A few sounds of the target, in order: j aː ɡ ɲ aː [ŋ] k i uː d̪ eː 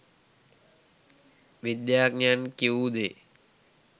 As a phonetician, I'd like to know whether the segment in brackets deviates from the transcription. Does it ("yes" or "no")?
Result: yes